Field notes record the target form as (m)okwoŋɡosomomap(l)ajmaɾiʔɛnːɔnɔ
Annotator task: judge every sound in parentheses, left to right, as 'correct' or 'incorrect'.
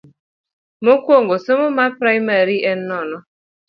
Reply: correct, incorrect: ɾ

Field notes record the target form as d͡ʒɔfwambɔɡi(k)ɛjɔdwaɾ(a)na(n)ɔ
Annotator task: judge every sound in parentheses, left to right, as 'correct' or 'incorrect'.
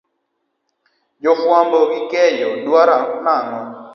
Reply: correct, correct, incorrect: ŋ

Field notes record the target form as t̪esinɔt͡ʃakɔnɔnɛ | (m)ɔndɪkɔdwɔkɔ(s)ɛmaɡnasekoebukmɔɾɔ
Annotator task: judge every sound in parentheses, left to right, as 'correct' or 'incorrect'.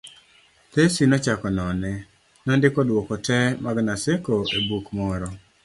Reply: incorrect: n, incorrect: t

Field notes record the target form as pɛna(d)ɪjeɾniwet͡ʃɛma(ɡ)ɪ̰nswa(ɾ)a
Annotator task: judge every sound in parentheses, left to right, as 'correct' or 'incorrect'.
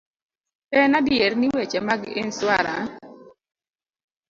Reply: correct, correct, correct

